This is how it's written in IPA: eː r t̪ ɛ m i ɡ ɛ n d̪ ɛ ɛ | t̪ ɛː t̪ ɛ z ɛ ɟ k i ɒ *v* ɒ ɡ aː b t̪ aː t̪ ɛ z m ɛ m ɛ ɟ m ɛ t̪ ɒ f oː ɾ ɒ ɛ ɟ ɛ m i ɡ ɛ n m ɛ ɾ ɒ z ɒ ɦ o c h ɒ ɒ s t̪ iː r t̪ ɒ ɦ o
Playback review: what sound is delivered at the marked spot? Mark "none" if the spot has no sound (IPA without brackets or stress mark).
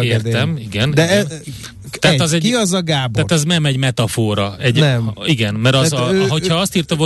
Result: z